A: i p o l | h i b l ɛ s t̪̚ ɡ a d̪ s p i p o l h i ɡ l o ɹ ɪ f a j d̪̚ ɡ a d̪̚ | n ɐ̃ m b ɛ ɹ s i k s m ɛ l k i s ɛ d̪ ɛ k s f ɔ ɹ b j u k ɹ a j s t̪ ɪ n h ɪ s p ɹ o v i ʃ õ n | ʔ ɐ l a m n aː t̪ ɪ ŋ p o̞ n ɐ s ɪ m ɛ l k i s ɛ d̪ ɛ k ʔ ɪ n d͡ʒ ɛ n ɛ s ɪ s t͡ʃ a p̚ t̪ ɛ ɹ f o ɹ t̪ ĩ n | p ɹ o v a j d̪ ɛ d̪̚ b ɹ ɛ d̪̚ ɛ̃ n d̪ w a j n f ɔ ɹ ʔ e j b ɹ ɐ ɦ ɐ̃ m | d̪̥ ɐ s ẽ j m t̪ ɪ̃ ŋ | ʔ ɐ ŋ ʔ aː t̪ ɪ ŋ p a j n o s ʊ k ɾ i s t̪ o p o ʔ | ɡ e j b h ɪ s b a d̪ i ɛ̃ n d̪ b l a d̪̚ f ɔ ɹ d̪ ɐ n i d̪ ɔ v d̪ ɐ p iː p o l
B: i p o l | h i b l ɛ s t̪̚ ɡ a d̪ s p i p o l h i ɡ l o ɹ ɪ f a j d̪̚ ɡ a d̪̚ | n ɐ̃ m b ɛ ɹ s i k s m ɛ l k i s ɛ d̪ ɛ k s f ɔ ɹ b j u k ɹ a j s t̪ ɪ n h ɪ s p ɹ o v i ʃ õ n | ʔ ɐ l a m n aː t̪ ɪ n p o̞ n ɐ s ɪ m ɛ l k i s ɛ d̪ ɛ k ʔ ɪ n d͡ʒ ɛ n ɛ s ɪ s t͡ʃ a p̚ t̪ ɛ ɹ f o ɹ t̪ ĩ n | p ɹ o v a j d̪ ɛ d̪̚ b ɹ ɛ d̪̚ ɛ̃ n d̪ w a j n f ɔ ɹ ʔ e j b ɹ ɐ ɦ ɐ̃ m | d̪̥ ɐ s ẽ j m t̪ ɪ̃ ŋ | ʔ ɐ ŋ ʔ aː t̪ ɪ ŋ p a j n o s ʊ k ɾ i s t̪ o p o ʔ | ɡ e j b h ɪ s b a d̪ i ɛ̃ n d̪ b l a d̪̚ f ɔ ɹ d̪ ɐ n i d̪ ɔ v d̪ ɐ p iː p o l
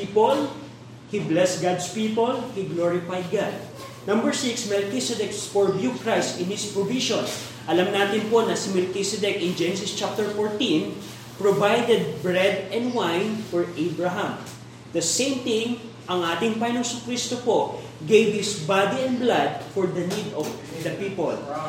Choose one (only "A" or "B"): B